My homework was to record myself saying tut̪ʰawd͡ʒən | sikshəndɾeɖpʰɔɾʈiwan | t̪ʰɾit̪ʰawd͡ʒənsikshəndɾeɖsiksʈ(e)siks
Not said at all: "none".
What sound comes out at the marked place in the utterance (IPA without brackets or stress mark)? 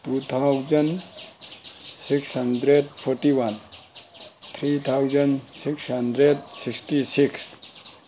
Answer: i